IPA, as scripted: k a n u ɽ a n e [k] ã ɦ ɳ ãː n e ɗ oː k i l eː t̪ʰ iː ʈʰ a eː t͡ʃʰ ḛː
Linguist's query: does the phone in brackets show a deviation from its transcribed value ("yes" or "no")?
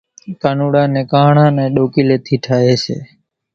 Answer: no